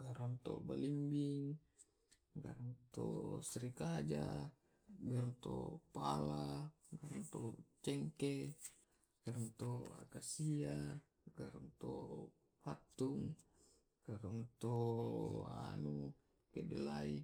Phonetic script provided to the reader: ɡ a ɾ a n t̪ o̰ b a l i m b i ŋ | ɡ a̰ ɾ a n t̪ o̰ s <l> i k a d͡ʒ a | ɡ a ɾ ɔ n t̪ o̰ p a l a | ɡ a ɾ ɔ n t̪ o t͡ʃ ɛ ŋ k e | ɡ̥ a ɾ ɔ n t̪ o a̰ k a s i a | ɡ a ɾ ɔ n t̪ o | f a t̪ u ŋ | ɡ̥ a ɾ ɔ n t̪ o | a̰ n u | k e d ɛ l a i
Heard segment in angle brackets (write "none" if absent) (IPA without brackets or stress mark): ɾ